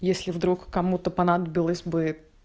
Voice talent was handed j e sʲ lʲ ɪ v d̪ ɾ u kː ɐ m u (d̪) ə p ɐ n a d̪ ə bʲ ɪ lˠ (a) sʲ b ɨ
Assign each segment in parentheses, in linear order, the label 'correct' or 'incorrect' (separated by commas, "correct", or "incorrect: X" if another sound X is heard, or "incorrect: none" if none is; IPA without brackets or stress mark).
incorrect: t̪, incorrect: ə